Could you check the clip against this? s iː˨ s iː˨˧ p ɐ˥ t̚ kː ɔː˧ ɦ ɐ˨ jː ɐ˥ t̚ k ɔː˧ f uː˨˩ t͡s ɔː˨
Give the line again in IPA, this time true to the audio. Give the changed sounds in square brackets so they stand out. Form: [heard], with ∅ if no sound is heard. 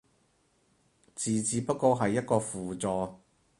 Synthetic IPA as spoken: [t͡s] iː˨ [t͡s] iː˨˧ p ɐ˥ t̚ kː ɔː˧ ɦ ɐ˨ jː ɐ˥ t̚ k ɔː˧ f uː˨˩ t͡s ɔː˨